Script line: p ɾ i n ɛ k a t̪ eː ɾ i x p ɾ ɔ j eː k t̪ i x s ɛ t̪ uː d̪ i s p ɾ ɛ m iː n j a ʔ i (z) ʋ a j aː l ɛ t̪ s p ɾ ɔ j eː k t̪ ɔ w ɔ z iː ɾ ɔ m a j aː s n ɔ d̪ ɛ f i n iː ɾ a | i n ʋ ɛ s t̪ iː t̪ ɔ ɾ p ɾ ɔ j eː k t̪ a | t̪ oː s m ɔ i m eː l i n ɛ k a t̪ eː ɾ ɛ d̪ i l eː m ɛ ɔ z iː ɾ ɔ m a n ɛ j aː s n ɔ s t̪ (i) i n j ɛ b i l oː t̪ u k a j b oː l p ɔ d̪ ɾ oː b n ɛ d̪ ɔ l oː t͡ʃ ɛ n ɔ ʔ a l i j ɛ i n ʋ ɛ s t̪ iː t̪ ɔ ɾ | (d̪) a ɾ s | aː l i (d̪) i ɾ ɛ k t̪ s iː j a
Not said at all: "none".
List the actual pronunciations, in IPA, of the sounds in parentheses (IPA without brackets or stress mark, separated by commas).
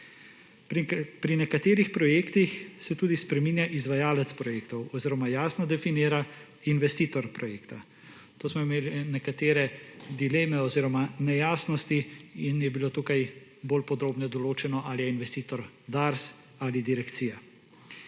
z, i, d̪, d̪